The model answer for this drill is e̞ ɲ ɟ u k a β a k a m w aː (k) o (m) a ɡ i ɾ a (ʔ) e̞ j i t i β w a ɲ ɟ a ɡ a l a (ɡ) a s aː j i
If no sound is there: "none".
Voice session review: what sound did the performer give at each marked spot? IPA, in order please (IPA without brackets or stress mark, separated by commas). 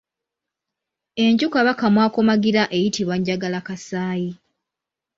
k, m, ʔ, k